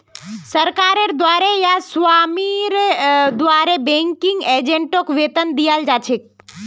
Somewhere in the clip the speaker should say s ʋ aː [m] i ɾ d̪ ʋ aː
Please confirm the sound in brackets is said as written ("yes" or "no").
yes